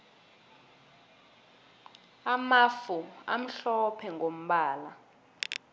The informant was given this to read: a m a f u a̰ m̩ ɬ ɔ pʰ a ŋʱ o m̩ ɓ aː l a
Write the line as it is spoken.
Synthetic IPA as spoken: a m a f u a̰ m̩ ɬ ɔ pʰ ɛ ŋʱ o m̩ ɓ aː l a